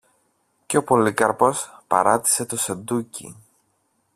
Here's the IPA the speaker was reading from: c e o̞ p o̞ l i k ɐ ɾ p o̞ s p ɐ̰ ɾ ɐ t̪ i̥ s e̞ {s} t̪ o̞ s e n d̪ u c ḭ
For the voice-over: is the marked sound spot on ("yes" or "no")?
no